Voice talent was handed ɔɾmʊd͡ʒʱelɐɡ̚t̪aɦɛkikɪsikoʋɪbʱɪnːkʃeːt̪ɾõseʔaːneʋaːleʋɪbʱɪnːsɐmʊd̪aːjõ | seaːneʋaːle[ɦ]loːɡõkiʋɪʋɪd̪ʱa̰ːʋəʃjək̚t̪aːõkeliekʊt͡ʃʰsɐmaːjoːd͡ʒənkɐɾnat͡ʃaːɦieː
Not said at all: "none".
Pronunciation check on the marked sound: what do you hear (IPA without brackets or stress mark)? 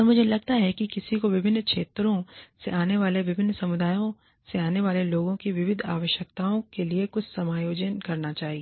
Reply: none